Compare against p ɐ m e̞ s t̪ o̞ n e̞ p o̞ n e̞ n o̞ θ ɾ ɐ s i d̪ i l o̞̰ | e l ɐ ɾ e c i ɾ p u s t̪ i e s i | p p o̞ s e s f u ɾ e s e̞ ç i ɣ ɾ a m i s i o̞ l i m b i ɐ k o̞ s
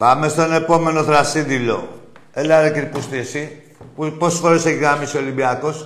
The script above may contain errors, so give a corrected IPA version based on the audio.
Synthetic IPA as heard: p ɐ m e̞ s t̪ o̞ n e̞ p o̞ m e̞ n o̞ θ ɾ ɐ s i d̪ i l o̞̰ | e l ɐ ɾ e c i ɾ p u s t̪ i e s i | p p o̞ s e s f o ɾ e s e̞ ç i ɣ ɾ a m i s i o̞ l i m b i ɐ k o̞ s